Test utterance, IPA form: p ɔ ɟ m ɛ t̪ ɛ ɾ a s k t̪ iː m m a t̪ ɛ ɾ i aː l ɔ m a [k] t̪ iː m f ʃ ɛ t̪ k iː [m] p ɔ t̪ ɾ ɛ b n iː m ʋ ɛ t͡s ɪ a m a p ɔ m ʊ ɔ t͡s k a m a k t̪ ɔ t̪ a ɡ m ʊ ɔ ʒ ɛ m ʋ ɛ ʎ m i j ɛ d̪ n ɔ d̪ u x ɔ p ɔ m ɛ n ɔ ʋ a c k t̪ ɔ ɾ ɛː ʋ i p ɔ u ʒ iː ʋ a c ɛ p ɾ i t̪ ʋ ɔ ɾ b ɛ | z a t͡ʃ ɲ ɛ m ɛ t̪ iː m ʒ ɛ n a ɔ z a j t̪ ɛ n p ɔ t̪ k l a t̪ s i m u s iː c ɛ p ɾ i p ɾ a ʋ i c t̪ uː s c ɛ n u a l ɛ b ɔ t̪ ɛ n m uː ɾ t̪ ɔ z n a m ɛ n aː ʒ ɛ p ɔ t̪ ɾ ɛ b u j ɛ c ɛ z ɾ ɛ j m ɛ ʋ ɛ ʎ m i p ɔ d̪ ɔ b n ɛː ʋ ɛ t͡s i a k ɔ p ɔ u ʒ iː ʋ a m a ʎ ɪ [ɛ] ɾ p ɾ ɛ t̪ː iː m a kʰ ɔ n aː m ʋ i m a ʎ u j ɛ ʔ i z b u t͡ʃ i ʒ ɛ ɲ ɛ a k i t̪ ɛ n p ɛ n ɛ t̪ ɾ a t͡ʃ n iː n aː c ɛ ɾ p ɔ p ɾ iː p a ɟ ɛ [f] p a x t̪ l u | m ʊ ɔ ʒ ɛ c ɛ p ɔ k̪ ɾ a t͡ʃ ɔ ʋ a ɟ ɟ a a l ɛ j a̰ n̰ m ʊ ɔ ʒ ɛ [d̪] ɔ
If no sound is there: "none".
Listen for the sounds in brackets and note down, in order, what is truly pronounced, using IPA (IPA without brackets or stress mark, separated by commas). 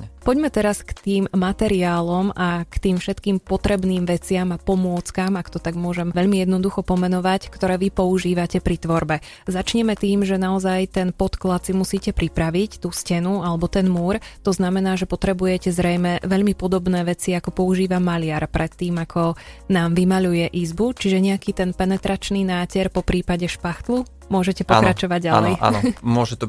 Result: k, m, a, ʃ, t̪